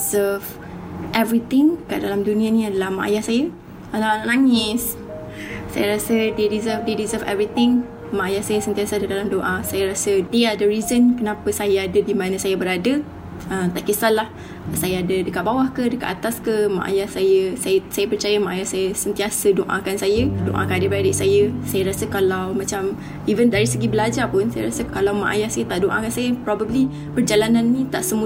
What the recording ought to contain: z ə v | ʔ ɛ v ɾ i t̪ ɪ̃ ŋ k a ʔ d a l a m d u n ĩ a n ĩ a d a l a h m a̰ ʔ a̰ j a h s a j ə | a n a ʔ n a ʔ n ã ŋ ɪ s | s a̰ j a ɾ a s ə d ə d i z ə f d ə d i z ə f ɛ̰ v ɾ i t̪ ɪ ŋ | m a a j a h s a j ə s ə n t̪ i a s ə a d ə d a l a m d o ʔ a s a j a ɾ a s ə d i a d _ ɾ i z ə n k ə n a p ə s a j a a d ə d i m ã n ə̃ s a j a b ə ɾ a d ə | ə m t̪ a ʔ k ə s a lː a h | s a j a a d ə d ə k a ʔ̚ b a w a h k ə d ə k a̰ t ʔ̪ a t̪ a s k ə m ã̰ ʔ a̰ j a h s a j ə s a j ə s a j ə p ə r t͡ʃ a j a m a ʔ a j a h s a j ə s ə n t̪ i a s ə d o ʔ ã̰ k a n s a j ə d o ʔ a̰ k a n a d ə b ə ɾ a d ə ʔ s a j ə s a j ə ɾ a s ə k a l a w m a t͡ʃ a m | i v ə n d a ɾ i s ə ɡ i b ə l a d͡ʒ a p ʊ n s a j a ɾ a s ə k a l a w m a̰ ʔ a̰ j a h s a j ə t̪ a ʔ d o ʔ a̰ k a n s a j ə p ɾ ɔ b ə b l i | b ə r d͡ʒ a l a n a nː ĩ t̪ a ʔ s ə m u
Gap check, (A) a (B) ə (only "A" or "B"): B